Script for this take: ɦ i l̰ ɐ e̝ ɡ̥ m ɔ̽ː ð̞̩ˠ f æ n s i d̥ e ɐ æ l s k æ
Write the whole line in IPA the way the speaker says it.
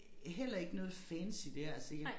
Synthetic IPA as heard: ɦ e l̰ ɐ e̝ ɡ̥ n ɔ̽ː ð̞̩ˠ f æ n s i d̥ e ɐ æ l s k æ

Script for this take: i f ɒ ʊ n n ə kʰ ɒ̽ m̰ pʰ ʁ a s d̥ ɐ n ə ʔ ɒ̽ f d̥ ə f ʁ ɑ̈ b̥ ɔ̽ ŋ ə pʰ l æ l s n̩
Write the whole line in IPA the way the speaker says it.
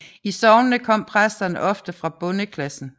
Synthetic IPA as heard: i s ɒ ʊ n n ə kʰ ɒ̽ m̰ pʰ ʁ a s d̥ ɐ n ə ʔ ɒ̽ f d̥ ə f ʁ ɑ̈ b̥ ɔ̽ n ə kʰ l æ s n̩

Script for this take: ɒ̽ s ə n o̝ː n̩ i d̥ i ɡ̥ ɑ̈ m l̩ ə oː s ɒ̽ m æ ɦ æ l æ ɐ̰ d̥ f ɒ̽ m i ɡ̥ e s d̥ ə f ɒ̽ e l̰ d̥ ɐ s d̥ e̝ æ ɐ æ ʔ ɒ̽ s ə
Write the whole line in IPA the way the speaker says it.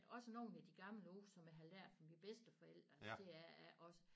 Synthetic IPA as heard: ɒ̽ s ə n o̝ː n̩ æ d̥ i ɡ̥ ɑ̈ m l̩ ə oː s ɒ̽ m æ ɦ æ l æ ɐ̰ d̥ f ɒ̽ m i b̥ e s d̥ ə f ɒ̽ e l̰ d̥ ɐ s d̥ e̝ æ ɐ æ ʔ ɒ̽ s ə

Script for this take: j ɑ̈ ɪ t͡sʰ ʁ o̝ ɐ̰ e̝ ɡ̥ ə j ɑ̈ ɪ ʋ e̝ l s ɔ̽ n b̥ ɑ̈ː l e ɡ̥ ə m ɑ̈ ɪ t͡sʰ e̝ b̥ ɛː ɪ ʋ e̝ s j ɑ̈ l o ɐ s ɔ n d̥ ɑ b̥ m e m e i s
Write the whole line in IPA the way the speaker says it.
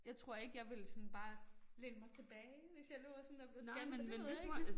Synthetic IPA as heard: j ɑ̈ ɪ t͡sʰ ʁ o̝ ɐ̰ e̝ ɡ̥ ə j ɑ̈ ɪ ʋ e̝ l s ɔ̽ n b̥ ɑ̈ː l e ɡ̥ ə m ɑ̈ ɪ t͡sʰ e̝ b̥ ɛː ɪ ʋ e̝ s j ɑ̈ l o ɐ s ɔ n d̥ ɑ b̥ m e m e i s

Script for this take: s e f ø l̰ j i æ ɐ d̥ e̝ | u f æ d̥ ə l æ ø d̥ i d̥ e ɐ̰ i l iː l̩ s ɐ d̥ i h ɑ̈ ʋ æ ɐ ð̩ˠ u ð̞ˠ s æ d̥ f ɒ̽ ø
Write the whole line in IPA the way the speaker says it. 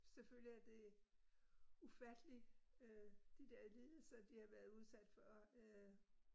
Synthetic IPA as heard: s e f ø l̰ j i æ ɐ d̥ e̝ | u f æ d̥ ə l i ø d̥ i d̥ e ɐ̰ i l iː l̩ s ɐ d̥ i h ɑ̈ ʋ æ ɐ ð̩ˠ u ð̞ˠ s æ d̥ f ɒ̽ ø

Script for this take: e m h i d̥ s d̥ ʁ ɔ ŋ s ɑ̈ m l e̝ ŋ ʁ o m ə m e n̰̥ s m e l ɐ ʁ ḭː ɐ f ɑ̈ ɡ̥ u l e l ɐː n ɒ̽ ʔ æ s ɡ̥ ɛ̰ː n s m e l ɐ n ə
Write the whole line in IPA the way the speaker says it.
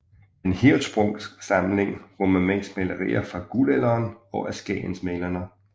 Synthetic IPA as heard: e n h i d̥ s b̥ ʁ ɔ ŋ s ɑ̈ m l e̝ ŋ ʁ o m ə m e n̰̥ s m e l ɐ ʁ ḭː ɐ f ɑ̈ ɡ̥ u l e l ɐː n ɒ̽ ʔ æ s ɡ̥ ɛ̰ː n s m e l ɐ n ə

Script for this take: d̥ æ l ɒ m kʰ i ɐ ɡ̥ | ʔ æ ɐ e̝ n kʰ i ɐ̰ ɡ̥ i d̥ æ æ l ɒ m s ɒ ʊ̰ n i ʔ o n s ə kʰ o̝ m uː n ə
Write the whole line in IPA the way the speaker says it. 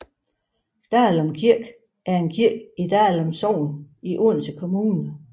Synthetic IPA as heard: d̥ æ l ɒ m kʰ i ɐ ɡ̥ | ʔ æ ɐ e̝ n kʰ i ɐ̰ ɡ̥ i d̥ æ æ l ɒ m s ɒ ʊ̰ n i ʔ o n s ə kʰ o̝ m uː n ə

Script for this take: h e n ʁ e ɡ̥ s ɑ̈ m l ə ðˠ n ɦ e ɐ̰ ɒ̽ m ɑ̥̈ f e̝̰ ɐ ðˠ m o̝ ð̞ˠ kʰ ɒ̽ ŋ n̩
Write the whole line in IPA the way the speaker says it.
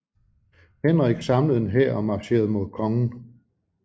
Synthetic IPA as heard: h e n ʁ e ɡ̥ s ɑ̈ m l ə ðˠ n ɦ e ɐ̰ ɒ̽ m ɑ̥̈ ɕ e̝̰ ɐ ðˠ m o̝ ð̞ˠ kʰ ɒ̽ ŋ n̩

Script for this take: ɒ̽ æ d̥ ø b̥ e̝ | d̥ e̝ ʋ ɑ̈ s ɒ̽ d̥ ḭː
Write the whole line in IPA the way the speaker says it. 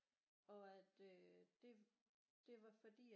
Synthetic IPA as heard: ɒ̽ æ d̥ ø d̥ e̝ | d̥ e̝ ʋ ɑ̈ f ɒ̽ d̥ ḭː

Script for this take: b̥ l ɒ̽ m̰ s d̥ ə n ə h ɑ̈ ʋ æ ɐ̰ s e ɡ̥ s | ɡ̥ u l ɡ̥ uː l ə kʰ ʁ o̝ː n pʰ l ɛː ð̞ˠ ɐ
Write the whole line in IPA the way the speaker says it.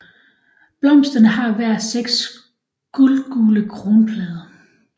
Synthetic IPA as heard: b̥ l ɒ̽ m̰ s d̥ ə n ə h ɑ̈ ʋ æ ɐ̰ s e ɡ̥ s | ɡ̥ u l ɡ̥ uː l ə kʰ ʁ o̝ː n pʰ l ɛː ð̞ˠ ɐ

